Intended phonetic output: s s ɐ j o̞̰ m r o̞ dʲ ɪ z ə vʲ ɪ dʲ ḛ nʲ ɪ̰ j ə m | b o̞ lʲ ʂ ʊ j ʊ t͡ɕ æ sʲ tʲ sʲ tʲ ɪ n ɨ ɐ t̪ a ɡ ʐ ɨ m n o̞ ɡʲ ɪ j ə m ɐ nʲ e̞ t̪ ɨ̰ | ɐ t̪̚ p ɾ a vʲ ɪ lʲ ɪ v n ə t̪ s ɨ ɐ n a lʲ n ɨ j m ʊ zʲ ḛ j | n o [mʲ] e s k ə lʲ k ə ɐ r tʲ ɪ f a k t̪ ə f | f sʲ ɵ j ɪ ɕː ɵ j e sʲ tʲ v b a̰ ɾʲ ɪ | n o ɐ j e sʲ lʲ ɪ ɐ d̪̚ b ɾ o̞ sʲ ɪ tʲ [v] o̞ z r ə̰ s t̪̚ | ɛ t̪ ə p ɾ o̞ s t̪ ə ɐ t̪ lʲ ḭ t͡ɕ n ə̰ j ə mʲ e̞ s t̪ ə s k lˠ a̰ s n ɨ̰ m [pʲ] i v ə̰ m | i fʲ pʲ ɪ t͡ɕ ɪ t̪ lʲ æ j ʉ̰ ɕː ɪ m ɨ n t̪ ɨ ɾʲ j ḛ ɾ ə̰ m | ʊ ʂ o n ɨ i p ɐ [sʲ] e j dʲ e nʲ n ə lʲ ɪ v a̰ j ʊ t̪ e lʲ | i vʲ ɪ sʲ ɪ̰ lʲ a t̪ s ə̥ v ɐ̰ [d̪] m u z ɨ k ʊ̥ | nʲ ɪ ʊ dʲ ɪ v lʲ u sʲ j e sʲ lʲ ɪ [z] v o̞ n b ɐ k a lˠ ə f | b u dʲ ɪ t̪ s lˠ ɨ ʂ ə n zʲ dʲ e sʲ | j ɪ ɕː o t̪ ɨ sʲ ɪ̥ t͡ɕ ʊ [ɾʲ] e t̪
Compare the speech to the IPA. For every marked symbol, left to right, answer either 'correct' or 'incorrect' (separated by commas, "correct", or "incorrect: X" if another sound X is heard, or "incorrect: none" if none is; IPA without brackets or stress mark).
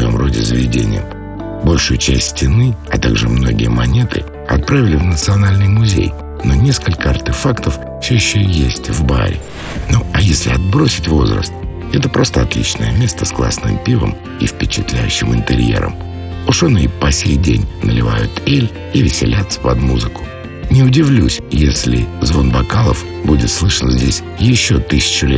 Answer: incorrect: nʲ, correct, correct, correct, correct, correct, incorrect: lʲ